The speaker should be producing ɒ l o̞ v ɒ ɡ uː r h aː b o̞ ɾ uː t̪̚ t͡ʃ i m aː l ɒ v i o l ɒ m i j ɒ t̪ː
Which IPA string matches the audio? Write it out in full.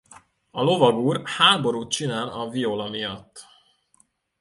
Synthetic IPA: ɒ l o̞ v ɒ ɡ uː r h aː b o̞ ɾ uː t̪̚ t͡ʃ i n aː l ɒ v i o l ɒ m i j ɒ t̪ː